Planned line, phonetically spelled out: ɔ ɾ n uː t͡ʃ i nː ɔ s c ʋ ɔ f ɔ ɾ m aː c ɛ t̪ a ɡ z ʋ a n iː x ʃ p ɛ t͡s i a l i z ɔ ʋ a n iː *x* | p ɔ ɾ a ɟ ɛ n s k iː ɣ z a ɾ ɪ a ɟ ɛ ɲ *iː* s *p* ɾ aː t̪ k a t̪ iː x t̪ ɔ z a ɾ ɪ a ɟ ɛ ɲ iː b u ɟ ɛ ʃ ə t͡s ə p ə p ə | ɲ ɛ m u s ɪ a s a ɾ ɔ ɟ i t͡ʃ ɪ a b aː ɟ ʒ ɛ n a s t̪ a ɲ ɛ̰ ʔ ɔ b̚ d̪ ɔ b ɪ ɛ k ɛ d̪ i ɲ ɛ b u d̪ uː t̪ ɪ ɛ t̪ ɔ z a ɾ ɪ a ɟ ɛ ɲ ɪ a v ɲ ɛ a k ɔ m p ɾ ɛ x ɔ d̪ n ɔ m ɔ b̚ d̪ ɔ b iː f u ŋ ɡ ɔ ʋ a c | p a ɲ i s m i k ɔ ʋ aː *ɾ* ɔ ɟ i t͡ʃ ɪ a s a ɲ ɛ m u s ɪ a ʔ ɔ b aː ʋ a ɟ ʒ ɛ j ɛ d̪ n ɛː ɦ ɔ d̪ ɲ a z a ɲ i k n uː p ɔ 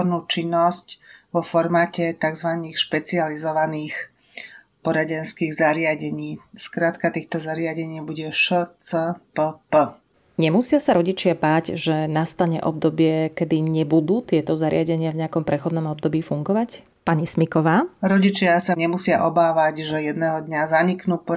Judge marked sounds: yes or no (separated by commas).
yes, yes, no, yes